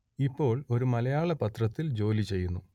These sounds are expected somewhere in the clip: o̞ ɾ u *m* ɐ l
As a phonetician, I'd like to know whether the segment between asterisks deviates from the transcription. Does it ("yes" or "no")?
no